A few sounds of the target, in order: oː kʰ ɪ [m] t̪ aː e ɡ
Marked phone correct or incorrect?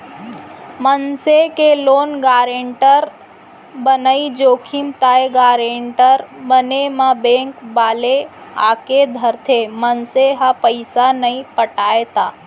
correct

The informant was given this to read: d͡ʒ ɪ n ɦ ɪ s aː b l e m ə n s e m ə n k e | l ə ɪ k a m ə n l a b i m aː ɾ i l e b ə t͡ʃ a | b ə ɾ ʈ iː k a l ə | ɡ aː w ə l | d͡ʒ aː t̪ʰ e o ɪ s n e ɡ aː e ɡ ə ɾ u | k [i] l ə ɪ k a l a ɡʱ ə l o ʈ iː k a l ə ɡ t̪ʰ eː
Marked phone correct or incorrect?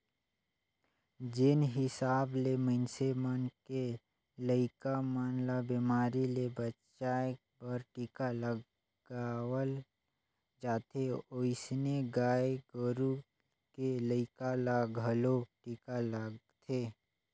incorrect: e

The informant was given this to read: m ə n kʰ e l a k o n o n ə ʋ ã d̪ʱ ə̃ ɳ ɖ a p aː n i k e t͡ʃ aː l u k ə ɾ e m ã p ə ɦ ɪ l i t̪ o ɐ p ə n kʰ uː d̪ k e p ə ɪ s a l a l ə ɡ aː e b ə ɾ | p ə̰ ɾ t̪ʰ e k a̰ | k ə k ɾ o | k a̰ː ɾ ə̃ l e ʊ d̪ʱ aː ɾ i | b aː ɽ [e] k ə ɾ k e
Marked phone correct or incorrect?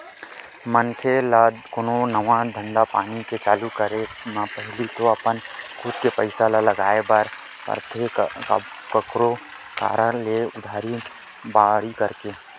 incorrect: i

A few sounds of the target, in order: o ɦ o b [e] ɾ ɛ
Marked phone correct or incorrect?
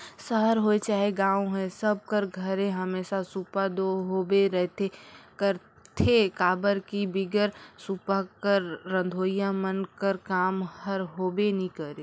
correct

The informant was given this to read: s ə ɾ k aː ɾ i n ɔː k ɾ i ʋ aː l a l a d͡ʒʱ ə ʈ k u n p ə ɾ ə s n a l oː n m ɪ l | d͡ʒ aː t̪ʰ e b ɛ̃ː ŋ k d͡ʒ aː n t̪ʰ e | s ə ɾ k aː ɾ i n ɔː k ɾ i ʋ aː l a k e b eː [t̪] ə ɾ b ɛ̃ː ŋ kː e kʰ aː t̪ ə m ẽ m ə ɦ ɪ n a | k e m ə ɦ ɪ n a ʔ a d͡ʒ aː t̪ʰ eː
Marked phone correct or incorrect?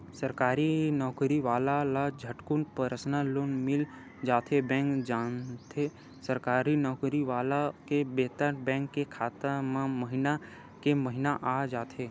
correct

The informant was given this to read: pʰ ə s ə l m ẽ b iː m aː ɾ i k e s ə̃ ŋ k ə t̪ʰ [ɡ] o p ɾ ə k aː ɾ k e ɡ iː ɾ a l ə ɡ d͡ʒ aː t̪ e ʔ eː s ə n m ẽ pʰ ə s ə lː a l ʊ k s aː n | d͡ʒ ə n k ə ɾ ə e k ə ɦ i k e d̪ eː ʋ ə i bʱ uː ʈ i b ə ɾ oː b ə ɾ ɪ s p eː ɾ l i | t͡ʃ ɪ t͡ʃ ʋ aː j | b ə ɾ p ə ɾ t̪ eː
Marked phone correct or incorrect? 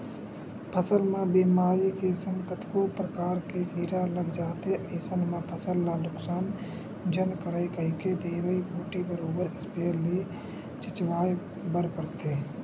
incorrect: k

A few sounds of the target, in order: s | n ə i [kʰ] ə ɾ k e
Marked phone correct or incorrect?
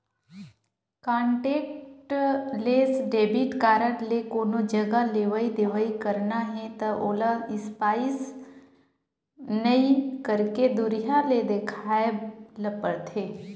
incorrect: k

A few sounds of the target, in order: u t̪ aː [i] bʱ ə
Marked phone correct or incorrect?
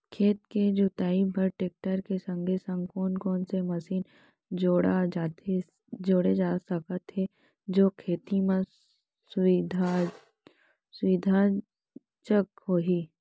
correct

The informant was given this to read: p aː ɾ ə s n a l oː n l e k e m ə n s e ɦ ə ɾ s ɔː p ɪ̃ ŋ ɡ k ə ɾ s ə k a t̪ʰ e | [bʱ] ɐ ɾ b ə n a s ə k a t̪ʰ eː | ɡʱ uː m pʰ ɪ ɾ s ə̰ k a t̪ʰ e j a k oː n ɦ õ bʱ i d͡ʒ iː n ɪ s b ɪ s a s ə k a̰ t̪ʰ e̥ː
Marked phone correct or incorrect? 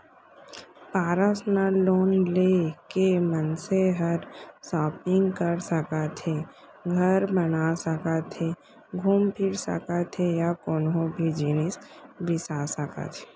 incorrect: ɡʱ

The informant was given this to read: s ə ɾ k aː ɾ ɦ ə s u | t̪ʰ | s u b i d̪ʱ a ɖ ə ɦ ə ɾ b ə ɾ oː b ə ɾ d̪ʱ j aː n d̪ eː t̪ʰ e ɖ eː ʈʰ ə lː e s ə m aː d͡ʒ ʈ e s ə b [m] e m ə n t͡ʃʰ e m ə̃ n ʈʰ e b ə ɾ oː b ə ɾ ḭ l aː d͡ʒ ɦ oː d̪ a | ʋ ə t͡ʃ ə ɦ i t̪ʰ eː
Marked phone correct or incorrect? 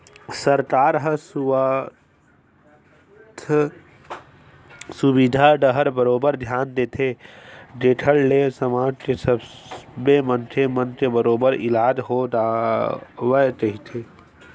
incorrect: b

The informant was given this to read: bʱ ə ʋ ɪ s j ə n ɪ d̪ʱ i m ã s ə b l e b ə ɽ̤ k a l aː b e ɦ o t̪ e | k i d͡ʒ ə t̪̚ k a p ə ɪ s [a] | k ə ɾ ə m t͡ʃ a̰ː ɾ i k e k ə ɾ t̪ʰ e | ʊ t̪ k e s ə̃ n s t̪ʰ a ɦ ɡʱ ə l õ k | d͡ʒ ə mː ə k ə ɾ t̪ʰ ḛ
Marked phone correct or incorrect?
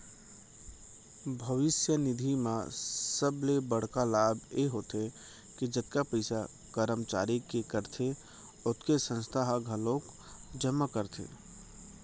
correct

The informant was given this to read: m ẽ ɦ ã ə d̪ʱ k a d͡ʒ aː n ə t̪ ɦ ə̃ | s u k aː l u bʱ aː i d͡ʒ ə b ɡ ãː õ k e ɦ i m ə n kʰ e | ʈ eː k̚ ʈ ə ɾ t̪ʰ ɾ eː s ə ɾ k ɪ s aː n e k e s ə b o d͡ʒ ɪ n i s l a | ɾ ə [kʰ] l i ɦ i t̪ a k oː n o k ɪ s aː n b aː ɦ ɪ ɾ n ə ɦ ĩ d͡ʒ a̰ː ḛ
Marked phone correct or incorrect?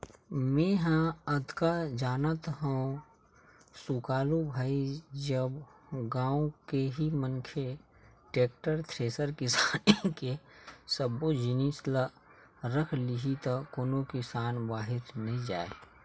correct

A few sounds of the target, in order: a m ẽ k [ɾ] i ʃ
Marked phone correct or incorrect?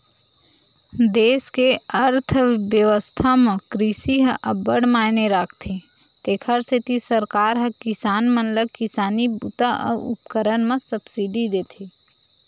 correct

